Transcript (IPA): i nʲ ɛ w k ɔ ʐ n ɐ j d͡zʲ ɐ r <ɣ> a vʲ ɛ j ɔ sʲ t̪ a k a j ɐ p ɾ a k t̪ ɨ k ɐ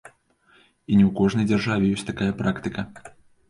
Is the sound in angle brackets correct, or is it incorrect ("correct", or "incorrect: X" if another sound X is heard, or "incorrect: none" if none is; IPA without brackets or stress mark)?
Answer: incorrect: ʐ